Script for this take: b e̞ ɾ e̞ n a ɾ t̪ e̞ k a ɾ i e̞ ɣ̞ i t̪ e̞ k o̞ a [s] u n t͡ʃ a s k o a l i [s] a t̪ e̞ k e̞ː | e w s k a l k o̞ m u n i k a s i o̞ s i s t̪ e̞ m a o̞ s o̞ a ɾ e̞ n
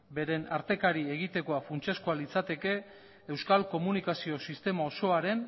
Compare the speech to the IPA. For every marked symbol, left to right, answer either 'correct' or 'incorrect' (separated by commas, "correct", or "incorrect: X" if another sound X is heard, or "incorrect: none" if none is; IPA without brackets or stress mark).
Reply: incorrect: f, incorrect: t͡s